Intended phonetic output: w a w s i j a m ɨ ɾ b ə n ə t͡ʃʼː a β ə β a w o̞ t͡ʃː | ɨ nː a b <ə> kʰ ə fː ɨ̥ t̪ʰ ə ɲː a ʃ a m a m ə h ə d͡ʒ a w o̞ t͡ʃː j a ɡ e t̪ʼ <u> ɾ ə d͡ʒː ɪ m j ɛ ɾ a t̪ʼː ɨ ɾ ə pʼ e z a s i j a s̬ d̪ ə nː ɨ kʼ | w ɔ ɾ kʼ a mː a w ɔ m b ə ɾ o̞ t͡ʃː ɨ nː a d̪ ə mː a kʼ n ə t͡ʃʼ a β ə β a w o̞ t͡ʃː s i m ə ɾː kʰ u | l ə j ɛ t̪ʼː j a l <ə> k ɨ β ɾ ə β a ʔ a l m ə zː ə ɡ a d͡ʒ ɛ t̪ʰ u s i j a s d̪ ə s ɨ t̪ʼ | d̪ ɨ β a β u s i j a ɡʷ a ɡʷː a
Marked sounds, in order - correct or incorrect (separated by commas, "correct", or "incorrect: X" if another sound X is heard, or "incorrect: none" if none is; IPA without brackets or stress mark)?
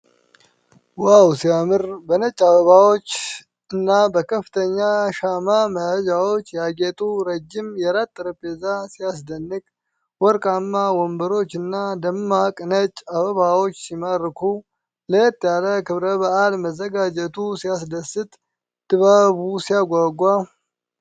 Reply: correct, correct, correct